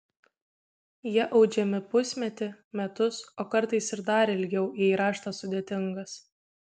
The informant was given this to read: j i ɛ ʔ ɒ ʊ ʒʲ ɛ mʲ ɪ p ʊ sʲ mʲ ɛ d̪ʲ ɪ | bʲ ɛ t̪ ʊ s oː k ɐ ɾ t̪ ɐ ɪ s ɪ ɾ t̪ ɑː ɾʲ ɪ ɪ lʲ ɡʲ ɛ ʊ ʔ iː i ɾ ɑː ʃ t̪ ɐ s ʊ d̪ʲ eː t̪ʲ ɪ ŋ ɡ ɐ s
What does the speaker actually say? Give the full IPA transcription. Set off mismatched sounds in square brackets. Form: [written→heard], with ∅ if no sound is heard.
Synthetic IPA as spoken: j i ɛ ʔ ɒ ʊ [ʒʲ→d͡ʒʲ] ɛ mʲ ɪ p ʊ sʲ mʲ ɛ [d̪ʲ→t̪ʲ] ɪ | [bʲ→mʲ] ɛ t̪ ʊ s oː k ɐ ɾ t̪ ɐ ɪ s ɪ ɾ [t̪→d̪] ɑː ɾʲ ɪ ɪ lʲ ɡʲ ɛ ʊ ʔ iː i ɾ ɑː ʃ t̪ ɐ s ʊ d̪ʲ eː t̪ʲ ɪ ŋ ɡ ɐ s